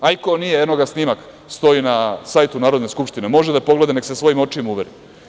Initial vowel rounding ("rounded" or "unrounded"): unrounded